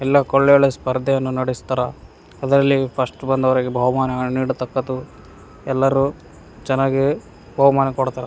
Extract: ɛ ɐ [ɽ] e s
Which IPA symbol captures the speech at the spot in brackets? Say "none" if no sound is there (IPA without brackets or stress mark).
ɭ